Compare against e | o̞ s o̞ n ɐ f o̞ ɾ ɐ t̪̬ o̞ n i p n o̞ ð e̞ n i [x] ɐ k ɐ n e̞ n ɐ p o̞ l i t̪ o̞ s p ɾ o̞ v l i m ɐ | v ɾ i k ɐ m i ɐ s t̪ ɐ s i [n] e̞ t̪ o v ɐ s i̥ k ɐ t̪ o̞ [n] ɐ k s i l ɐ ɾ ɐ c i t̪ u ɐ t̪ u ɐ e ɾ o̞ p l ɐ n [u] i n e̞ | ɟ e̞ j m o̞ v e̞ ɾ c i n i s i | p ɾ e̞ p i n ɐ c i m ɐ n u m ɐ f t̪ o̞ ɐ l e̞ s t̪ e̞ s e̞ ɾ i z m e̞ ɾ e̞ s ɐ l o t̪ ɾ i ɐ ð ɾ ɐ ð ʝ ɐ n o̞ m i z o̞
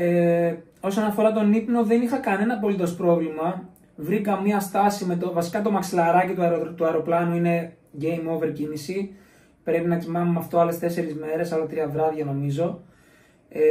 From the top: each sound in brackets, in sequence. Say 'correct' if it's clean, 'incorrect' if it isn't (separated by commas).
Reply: correct, incorrect, incorrect, correct